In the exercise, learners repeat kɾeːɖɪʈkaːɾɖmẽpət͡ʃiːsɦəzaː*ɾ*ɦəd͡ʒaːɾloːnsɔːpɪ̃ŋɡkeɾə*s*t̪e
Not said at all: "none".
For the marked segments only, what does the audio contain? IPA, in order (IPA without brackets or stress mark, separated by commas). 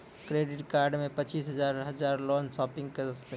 ɾ, s